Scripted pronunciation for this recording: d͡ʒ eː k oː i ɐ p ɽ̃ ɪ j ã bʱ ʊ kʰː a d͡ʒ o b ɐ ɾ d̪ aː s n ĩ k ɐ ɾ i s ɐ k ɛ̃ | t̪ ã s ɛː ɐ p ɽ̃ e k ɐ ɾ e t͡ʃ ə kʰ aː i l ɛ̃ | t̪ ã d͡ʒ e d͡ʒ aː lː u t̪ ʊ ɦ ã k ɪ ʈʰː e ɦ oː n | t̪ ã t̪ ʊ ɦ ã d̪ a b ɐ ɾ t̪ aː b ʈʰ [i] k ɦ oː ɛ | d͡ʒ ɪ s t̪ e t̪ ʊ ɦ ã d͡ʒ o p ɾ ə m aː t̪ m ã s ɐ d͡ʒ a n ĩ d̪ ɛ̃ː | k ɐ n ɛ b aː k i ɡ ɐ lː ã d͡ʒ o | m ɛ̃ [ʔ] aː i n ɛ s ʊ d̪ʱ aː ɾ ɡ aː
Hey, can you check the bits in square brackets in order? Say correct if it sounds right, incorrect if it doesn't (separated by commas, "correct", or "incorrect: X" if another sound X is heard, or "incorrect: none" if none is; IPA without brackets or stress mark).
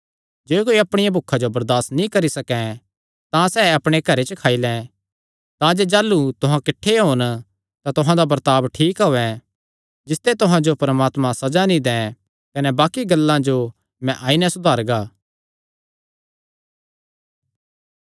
incorrect: iː, correct